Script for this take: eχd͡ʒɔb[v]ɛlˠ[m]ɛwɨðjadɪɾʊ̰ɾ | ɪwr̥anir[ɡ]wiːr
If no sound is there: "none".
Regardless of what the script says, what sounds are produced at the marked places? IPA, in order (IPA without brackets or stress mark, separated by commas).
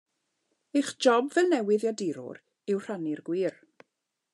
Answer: v, n, ɡ